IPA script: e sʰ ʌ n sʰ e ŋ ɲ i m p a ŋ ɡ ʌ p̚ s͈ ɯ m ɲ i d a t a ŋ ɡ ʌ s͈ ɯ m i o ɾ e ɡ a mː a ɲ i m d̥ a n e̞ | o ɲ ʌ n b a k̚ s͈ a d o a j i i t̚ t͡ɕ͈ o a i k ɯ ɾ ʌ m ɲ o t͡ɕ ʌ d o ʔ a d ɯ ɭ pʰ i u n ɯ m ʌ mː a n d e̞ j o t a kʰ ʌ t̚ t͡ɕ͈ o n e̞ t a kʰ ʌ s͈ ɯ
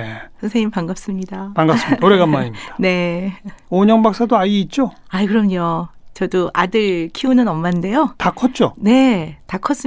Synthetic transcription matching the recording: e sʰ ʌ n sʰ e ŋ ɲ i m p a ŋ ɡ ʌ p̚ s͈ ɯ m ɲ i d a p a ŋ ɡ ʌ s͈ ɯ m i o ɾ e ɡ a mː a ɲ i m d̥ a n e̞ | o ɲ ʌ ŋ b a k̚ s͈ a d o a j i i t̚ t͡ɕ͈ o a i k ɯ ɾ ʌ m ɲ o t͡ɕ ʌ d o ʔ a d ɯ ɭ kʰ i u n ɯ n ʌ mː a n d e̞ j o t a kʰ ʌ t̚ t͡ɕ͈ o n e̞ t a kʰ ʌ s͈ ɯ